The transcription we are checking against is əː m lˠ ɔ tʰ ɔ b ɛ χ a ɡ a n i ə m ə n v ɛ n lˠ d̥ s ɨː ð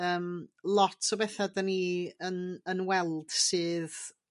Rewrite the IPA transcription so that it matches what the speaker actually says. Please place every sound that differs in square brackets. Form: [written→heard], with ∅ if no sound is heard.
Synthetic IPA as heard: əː m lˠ ɔ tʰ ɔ b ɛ [χ→θ] a [ɡ→d] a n i ə [m→n] ə n [v→w] ɛ [n→∅] lˠ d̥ s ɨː ð